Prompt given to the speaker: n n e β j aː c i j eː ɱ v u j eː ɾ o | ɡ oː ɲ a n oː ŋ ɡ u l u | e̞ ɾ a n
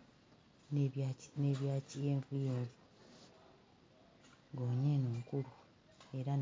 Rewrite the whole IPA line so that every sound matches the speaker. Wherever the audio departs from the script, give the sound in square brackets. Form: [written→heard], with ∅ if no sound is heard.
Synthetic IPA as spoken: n n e β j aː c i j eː ɱ v u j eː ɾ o | ɡ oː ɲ [a→e] n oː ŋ [ɡ→k] u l u | e̞ ɾ a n